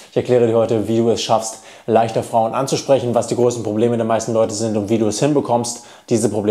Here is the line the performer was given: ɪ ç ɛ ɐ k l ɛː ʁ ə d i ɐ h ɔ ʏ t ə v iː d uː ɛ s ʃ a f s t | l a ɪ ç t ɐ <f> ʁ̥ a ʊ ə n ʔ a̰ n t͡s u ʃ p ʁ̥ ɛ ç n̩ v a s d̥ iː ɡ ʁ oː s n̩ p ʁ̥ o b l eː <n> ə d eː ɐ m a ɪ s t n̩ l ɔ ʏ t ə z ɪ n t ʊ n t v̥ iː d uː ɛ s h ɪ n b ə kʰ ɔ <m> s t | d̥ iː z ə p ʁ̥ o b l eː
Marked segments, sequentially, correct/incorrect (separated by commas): correct, incorrect, correct